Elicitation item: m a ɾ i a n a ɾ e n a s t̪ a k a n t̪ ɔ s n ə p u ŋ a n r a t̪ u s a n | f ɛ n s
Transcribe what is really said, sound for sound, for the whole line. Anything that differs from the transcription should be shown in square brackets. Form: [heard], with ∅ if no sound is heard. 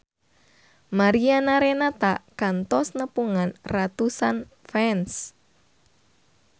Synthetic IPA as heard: m a ɾ i a n a ɾ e n a [∅] t̪ a k a n t̪ ɔ s n ə p u ŋ a n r a t̪ u s a n | f ɛ n s